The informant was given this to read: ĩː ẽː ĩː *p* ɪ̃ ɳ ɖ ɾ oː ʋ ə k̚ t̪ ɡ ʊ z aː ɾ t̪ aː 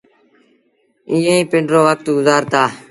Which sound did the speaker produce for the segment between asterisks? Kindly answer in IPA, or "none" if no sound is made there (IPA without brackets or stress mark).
p